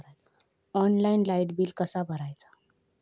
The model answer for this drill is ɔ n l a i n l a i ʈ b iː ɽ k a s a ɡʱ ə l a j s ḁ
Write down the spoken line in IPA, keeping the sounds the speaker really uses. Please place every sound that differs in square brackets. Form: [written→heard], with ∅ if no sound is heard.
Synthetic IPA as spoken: ɔ n l a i n l a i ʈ b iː [ɽ→l] k [a→ə] s a [ɡʱ→bʱ] ə [l→ɾ] a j [s→t͡s] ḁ